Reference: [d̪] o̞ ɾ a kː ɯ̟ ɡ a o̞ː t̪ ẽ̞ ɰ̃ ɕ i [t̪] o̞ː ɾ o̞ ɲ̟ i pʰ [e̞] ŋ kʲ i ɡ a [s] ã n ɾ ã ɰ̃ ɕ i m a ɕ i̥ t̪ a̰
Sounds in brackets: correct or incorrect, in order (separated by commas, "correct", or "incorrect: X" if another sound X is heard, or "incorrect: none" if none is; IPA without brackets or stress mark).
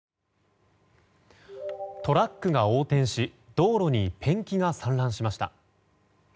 incorrect: t̪, incorrect: d̪, incorrect: ẽ̞, correct